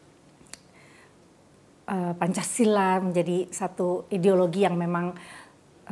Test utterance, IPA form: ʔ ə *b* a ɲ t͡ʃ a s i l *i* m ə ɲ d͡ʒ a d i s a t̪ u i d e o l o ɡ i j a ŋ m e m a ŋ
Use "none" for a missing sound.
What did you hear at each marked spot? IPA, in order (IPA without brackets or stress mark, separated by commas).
p, a